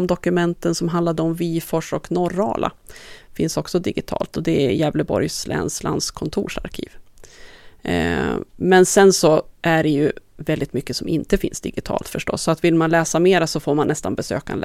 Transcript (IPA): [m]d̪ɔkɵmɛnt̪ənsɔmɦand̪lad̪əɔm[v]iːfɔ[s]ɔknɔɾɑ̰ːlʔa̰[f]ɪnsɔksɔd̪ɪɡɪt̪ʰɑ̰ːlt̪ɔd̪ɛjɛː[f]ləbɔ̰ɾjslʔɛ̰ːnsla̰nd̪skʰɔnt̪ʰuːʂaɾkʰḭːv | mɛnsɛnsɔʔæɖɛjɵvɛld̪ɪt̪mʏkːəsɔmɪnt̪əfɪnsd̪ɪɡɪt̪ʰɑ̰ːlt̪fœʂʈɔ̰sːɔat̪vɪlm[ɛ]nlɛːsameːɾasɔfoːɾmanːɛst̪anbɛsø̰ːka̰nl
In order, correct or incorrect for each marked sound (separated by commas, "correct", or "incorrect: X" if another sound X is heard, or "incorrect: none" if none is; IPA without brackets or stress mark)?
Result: correct, correct, incorrect: ʂ, correct, incorrect: v, incorrect: a